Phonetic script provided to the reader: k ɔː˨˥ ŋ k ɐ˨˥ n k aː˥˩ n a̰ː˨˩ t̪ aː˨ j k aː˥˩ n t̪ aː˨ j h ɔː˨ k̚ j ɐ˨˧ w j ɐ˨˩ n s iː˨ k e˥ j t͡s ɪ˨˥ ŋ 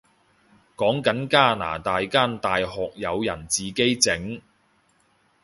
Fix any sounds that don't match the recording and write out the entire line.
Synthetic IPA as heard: k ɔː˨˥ ŋ k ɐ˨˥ n k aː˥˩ n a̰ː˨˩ t̪ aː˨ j k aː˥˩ n t̪ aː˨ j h ɔː˨ k̚ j ɐ˨˧ w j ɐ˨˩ n t͡s iː˨ k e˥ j t͡s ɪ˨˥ ŋ